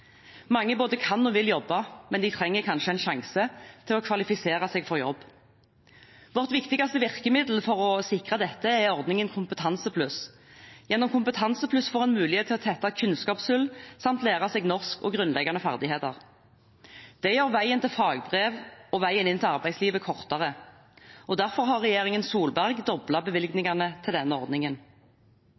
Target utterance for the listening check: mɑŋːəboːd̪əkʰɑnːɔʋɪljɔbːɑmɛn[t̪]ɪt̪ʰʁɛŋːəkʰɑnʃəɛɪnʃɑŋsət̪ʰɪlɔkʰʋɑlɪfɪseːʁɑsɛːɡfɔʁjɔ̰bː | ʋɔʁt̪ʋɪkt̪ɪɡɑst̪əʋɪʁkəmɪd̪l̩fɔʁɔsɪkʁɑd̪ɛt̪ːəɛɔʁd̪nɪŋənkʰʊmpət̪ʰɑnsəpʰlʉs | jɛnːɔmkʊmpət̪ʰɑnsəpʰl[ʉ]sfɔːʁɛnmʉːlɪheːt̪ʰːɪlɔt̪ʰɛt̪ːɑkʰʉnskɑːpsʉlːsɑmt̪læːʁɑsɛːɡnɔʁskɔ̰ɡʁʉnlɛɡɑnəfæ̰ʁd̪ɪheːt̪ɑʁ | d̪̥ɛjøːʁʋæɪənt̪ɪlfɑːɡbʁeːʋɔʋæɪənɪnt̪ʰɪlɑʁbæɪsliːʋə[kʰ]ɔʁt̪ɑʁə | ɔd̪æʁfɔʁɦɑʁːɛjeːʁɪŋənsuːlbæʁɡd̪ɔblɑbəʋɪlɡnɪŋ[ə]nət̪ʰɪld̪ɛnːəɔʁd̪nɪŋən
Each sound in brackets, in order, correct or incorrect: incorrect, correct, correct, incorrect

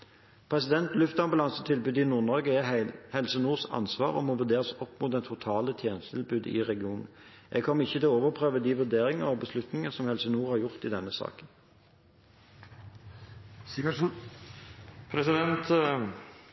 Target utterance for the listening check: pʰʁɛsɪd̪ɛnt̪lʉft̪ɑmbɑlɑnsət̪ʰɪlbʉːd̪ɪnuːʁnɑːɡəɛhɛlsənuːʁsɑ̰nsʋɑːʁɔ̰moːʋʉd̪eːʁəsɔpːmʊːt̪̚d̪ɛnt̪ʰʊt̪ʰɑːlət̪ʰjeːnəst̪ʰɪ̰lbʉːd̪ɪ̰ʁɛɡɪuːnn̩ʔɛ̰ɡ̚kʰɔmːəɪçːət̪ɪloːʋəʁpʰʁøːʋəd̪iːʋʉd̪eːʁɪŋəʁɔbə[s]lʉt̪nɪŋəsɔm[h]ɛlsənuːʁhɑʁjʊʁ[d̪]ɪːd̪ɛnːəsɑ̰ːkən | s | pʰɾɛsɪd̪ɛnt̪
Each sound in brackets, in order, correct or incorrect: correct, correct, incorrect

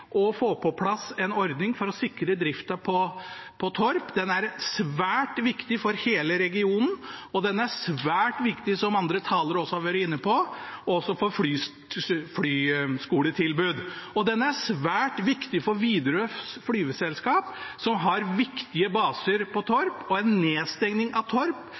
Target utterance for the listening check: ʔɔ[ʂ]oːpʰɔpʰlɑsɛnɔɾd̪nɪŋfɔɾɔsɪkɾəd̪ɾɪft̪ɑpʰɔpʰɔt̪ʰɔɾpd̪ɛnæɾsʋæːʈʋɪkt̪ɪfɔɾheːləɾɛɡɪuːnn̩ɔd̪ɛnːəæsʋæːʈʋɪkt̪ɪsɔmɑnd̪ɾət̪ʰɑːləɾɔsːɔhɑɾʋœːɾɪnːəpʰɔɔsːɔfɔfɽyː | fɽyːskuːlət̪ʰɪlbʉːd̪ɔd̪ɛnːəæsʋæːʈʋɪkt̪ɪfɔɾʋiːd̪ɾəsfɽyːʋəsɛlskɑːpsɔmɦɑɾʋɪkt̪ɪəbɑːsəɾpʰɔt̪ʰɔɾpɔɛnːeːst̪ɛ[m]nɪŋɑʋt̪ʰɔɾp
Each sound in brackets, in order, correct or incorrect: incorrect, incorrect

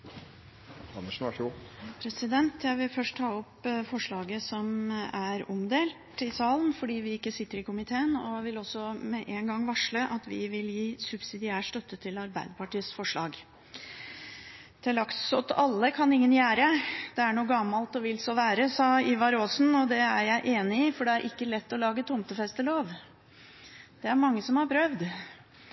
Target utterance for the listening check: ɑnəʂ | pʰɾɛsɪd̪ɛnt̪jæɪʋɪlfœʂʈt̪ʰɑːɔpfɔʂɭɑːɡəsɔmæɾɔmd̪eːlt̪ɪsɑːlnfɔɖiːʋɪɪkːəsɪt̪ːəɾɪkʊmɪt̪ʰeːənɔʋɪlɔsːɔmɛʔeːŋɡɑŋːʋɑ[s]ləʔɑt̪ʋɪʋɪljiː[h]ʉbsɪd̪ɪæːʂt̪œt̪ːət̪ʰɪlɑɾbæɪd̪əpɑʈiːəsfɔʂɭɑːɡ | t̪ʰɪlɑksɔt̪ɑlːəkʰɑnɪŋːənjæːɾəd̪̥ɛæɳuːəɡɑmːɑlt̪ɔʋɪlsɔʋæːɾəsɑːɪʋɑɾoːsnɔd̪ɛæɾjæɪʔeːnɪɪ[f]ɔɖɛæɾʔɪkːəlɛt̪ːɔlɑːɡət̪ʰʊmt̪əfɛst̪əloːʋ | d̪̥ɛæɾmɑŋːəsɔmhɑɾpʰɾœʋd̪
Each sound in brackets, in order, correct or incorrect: incorrect, incorrect, correct

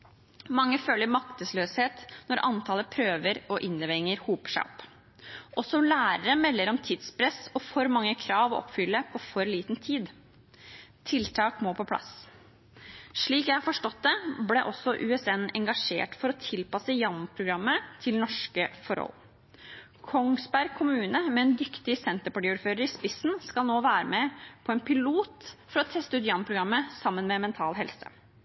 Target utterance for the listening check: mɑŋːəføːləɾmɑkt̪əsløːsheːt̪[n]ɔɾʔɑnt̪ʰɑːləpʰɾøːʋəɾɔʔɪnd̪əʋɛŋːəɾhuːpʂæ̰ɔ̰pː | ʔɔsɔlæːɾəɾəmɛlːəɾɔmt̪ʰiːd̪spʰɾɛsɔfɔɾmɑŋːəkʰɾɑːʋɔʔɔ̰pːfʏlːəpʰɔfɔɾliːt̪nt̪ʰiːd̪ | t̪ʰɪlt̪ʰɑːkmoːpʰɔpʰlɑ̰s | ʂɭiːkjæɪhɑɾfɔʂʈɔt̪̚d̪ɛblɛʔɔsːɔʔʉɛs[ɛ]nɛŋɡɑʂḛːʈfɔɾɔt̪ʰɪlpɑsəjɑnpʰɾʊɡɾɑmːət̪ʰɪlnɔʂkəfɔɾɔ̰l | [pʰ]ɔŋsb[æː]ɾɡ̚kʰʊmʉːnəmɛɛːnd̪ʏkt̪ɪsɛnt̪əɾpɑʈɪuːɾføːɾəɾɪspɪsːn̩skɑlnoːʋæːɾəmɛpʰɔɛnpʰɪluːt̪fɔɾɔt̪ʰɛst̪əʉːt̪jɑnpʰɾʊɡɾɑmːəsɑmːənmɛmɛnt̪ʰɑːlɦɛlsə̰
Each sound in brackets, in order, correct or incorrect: correct, correct, incorrect, incorrect

